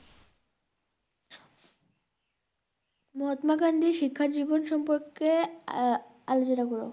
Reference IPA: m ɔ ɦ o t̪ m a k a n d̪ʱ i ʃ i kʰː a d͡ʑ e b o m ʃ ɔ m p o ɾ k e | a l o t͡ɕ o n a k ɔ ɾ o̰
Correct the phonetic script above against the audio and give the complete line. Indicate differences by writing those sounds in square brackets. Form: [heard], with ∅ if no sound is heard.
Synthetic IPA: m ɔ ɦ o t̪ m a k a n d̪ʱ i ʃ i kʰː a d͡ʑ [i] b o [n] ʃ ɔ m p o ɾ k e | a l o t͡ɕ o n a k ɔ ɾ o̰